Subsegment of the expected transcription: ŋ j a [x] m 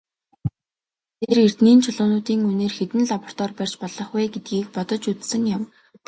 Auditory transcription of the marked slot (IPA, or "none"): none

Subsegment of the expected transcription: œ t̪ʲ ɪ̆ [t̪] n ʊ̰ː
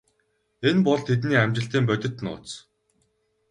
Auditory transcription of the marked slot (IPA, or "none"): t̪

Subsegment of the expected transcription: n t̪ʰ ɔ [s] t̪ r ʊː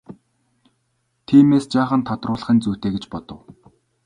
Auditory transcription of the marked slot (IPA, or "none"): none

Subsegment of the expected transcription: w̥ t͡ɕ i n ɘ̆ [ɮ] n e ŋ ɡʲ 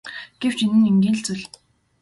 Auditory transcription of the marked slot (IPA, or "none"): none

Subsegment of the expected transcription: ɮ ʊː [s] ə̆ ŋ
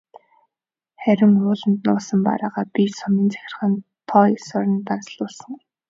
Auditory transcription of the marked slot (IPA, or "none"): s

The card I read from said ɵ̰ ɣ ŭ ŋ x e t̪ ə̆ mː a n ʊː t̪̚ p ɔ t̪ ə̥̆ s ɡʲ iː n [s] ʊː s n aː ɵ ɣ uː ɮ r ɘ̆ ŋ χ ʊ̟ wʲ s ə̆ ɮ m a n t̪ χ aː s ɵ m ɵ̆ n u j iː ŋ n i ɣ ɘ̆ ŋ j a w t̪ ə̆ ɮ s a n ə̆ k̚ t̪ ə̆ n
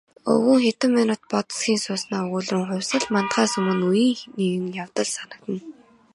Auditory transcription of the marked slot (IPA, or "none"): s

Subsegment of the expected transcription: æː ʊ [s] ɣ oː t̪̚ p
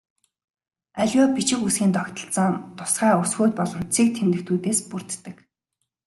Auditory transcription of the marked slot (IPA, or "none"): s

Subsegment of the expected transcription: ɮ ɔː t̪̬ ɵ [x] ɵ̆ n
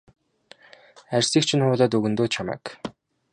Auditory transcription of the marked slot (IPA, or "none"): ɣ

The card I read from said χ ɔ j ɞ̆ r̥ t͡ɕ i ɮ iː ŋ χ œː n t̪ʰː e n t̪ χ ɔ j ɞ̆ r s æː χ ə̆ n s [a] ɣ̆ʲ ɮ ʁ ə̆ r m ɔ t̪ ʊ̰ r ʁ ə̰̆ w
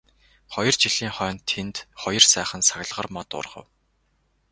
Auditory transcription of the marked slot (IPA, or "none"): a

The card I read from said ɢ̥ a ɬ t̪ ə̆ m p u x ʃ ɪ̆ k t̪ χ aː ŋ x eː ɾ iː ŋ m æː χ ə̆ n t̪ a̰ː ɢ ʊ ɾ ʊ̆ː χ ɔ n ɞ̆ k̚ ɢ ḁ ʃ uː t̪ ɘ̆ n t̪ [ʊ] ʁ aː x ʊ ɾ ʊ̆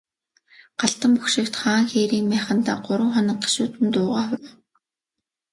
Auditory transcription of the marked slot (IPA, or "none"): ʊː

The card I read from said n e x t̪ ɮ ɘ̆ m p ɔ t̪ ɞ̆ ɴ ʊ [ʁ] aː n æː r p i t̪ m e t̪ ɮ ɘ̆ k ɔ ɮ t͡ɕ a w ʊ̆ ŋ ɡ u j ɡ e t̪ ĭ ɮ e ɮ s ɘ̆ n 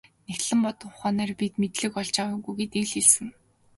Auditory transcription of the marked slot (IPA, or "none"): χ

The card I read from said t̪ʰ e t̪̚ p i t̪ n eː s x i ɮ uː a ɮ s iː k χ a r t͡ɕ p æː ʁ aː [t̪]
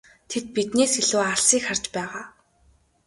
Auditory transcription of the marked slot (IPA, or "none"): none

